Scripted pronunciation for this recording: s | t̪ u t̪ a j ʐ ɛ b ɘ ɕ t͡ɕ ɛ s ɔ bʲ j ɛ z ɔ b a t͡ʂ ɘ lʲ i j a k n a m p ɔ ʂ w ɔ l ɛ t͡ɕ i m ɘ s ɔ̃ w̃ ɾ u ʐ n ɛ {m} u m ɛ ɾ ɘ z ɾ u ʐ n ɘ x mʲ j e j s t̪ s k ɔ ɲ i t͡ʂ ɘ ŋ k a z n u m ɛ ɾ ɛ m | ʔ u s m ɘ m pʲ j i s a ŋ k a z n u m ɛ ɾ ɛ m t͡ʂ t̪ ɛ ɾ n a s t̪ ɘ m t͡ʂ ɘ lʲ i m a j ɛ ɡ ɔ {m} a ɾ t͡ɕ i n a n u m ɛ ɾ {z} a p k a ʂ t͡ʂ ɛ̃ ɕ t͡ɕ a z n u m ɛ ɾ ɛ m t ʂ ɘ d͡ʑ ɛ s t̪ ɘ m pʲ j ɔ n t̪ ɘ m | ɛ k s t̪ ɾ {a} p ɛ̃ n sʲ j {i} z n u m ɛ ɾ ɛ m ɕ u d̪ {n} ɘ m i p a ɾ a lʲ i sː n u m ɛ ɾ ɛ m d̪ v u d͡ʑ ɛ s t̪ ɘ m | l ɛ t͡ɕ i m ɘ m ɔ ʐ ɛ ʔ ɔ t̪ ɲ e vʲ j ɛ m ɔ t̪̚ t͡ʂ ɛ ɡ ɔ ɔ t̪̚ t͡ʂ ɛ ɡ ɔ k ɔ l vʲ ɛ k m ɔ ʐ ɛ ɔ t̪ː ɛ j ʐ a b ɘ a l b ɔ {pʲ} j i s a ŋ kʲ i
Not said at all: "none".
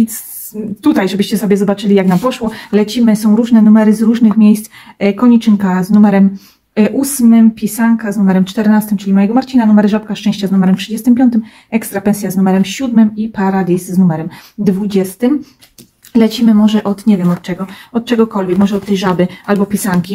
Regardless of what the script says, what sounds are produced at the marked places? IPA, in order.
n, m, ʐ, a, a, m, pʲ

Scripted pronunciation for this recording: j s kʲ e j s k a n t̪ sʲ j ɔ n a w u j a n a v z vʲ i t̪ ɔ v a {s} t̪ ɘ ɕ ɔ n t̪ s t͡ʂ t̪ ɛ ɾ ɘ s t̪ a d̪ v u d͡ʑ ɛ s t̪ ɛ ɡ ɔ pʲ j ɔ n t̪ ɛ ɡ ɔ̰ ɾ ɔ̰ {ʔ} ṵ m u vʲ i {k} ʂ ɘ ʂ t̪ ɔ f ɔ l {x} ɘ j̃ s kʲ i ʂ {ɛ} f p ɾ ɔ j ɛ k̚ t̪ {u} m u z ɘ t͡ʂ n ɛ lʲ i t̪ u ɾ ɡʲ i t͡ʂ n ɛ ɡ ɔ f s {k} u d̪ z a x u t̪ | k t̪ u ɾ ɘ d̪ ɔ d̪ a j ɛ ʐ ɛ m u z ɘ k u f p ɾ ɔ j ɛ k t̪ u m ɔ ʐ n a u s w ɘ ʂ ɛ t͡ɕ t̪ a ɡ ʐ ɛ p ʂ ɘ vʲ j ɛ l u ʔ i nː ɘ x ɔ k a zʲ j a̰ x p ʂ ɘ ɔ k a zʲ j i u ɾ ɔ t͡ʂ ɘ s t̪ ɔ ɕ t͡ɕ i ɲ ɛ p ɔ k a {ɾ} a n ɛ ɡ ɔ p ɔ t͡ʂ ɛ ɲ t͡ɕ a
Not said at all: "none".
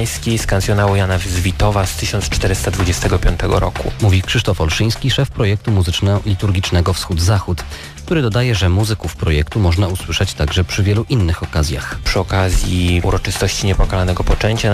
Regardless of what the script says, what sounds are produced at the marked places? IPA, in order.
s, k, k, ʂ, ɛ, u, x, l

